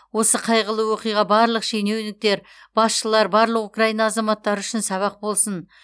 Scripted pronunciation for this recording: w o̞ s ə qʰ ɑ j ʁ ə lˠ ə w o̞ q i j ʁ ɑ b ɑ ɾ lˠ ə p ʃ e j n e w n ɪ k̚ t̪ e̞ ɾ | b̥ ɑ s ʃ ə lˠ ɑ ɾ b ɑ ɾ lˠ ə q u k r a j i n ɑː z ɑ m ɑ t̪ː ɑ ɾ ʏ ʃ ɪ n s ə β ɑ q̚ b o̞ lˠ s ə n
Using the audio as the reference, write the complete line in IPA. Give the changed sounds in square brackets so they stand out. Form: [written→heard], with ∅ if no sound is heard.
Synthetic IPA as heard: w o̞ s ə qʰ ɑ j ʁ ə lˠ ə w o̞ q i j ʁ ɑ b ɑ ɾ lˠ ə [p→q] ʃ e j n e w n ɪ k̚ t̪ e̞ ɾ | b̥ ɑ s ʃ ə lˠ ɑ ɾ b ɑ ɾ lˠ ə q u k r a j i n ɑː z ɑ m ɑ t̪ː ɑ ɾ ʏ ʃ ɪ n s [ə→ɑ] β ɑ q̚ b o̞ lˠ s ə n